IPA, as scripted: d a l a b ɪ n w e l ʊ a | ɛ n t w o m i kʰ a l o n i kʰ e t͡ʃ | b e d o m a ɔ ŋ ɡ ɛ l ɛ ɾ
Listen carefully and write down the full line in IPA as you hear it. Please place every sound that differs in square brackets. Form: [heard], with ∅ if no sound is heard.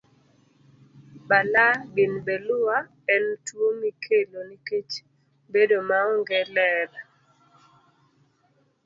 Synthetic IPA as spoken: [b] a l a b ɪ n [b] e l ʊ a | ɛ n t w o m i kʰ [e] l o n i [k] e t͡ʃ | b e d o m a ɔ ŋ ɡ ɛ l ɛ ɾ